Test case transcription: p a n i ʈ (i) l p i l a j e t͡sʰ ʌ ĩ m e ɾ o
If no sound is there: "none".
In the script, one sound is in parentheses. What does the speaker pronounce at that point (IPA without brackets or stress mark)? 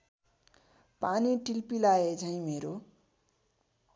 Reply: i